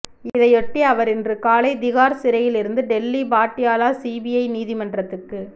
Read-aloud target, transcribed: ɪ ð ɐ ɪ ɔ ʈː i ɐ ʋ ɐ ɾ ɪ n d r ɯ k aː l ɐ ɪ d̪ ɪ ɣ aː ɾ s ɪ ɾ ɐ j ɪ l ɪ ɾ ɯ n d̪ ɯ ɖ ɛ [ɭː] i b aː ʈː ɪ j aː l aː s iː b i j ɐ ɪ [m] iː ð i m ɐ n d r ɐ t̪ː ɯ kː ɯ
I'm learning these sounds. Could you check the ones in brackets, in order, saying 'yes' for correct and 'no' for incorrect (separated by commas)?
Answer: no, no